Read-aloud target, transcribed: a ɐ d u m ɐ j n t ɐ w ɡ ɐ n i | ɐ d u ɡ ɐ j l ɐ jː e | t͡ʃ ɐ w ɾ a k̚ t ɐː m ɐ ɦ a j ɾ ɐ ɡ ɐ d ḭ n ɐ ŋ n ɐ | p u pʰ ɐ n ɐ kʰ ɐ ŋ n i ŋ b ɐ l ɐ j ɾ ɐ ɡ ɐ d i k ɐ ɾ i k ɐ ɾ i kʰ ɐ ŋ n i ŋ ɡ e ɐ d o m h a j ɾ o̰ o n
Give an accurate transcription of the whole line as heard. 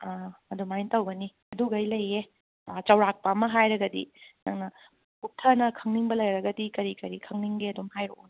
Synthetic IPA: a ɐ d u m a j n t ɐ w ɡ ɐ n i | ɐ d u ɡ ɐ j l ɐ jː e | t͡ʃ ɐ w ɾ a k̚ p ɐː m ɐ ɦ a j ɾ ɐ ɡ ɐ d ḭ n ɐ ŋ n ɐ | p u tʰ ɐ n ɐ kʰ ɐ ŋ n i ŋ b ɐ l ɐ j ɾ ɐ ɡ ɐ d i k ɐ ɾ i k ɐ ɾ i kʰ ɐ ŋ n i ŋ ɡ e ɐ d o m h a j ɾ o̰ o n

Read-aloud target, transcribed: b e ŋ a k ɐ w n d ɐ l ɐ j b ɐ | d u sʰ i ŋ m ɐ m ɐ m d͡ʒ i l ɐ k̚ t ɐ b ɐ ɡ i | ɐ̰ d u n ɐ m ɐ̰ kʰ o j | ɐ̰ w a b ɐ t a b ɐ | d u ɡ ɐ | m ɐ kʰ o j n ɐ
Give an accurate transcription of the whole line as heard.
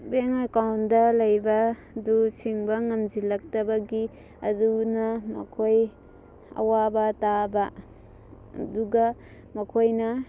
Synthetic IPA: b e ŋ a k a w n d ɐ l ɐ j b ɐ | d u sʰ i ŋ b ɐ ŋ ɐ m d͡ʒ i l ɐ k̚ t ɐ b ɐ ɡ i | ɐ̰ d u n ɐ m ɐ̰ kʰ o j | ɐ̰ w a b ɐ t a b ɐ | d u ɡ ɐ | m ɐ kʰ o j n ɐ

